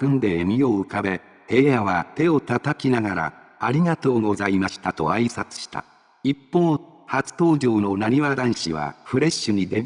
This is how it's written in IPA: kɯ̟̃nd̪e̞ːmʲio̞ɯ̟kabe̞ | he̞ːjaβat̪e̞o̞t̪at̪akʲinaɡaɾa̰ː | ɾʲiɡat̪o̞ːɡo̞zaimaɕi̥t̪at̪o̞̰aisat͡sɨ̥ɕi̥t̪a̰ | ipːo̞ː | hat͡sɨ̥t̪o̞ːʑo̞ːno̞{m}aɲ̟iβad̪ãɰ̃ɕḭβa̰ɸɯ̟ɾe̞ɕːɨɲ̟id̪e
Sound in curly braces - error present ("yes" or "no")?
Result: yes